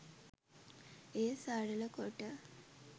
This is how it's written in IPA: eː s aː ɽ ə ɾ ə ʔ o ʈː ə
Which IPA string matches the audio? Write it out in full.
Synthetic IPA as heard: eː s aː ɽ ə l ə k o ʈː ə